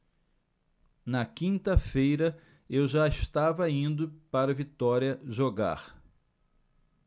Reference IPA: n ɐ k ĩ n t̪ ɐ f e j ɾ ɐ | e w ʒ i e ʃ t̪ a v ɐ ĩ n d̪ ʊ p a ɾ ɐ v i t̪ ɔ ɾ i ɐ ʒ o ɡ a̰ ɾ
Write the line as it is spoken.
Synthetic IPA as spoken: n ɐ k ĩ n t̪ ɐ f e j ɾ ɐ | e w ʒ a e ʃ t̪ a v ɐ ĩ n d̪ ʊ p a ɾ ɐ v i t̪ ɔ ɾ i ɐ ʒ o ɡ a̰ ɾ